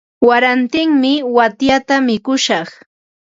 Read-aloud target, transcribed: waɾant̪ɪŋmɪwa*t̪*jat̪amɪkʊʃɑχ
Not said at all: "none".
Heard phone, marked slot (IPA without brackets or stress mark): t̪